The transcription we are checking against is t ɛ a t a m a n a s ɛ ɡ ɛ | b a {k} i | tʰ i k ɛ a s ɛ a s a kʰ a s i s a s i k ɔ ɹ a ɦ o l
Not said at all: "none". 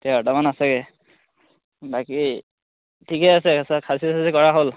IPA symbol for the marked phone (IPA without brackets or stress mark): k